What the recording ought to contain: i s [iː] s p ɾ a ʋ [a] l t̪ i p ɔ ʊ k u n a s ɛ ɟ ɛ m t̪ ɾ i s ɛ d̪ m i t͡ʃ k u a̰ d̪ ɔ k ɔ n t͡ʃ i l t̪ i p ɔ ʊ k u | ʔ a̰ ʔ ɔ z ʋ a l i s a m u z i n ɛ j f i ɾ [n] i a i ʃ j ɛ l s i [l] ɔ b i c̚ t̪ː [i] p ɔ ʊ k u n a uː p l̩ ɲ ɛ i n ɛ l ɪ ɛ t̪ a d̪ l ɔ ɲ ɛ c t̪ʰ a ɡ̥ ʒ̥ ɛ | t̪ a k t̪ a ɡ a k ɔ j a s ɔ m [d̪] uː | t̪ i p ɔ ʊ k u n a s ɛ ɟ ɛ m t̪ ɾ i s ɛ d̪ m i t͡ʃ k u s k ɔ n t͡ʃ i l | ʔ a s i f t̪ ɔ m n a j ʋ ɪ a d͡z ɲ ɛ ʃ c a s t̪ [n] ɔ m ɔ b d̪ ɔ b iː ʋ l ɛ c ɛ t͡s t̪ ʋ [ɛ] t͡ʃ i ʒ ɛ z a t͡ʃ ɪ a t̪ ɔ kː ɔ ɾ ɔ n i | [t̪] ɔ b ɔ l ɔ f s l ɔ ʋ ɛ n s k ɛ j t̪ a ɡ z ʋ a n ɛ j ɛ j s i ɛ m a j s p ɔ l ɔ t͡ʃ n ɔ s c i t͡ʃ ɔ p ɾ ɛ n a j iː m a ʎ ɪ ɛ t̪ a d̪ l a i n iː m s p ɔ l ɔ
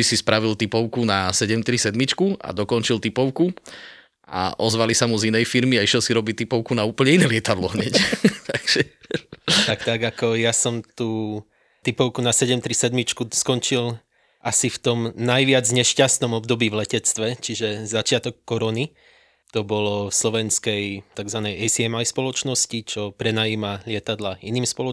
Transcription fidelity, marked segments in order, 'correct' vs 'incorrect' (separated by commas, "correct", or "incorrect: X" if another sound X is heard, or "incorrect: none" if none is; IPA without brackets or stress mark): incorrect: i, incorrect: i, incorrect: m, incorrect: ɾ, correct, incorrect: t̪, correct, correct, correct